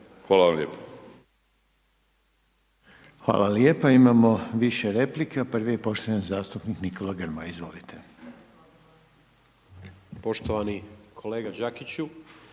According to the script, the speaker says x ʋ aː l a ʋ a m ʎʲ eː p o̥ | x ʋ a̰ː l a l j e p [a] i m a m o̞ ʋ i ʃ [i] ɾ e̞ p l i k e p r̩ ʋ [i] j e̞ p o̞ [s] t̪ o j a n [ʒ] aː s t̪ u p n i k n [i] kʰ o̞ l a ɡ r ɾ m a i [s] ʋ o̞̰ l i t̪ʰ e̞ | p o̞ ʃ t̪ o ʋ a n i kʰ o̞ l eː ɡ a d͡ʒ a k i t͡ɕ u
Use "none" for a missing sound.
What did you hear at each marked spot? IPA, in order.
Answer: a, e, i, ʃ, z, i, z

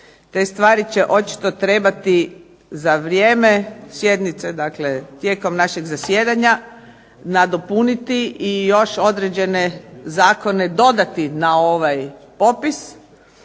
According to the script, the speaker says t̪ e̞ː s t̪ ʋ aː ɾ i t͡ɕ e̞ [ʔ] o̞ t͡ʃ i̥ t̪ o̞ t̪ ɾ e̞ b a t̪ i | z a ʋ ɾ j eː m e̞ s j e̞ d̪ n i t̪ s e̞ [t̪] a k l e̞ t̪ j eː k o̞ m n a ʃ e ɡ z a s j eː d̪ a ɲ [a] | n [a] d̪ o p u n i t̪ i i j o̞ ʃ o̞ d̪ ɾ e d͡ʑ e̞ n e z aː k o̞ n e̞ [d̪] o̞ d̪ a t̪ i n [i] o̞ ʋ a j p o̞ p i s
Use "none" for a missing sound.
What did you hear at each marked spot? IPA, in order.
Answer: ʔ, d̪, a, a, d̪, a

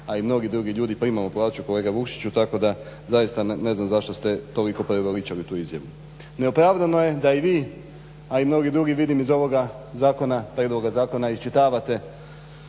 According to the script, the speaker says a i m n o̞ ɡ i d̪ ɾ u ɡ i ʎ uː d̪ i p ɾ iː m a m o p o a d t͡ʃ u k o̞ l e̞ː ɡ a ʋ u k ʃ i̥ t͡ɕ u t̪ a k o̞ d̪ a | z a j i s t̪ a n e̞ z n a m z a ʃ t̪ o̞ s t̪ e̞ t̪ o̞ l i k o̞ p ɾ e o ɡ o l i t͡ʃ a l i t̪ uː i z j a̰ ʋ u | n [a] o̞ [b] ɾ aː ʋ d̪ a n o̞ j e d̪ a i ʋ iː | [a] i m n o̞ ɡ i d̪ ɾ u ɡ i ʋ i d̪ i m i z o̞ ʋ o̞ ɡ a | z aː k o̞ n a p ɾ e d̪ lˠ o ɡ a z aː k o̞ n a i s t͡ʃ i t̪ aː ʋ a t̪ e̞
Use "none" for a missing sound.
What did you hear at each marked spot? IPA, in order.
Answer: e, p, a

